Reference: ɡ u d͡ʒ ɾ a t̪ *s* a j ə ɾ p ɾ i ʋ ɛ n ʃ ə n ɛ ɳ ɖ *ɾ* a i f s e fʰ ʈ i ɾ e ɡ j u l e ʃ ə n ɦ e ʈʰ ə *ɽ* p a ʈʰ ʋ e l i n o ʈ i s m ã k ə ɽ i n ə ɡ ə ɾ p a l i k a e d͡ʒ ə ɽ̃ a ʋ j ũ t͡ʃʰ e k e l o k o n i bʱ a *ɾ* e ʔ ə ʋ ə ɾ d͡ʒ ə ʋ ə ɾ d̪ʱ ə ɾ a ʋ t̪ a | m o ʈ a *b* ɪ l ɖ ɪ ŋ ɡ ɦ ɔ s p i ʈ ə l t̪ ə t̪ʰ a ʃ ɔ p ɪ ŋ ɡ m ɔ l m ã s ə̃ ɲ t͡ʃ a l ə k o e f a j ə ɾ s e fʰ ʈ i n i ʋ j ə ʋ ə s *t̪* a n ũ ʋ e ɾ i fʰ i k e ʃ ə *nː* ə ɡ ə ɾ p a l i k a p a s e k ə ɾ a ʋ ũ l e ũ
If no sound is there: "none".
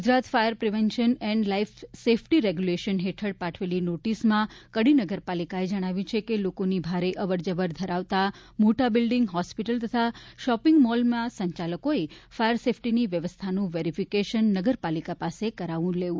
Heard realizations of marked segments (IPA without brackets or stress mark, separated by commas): f, l, ɽ, ɾ, b, t̪ʰ, nː